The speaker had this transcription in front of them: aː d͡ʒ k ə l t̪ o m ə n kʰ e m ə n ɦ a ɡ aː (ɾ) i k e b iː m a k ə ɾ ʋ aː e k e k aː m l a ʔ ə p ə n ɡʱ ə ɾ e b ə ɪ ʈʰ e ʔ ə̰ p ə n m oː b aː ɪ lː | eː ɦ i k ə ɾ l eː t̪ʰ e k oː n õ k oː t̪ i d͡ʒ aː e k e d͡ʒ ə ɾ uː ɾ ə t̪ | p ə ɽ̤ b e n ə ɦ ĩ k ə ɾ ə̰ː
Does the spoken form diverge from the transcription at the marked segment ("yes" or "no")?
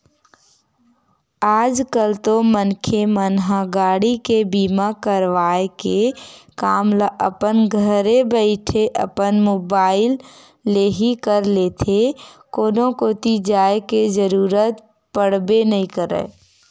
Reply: yes